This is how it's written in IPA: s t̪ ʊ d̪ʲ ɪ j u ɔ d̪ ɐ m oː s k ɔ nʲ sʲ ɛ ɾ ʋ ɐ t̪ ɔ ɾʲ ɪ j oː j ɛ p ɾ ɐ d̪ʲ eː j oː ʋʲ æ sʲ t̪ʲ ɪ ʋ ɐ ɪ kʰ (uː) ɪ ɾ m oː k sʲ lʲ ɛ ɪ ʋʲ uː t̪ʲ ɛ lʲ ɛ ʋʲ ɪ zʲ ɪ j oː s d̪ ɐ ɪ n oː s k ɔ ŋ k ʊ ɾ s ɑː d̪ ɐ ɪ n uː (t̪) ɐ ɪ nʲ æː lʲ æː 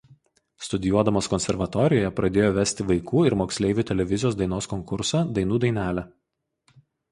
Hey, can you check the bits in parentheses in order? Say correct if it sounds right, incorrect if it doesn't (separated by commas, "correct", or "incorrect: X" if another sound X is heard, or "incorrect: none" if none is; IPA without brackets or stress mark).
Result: correct, incorrect: d̪